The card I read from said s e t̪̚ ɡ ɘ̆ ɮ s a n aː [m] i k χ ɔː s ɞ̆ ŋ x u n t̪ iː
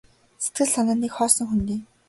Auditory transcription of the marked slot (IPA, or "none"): n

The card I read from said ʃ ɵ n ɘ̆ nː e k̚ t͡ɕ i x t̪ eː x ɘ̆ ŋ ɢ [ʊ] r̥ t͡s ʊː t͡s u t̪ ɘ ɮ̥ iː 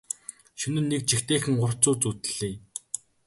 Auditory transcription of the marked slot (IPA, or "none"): ʊ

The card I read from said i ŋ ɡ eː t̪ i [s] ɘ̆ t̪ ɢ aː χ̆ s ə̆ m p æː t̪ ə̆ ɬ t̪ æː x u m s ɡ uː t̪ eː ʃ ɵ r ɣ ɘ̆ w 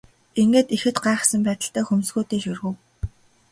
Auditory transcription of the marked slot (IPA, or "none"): x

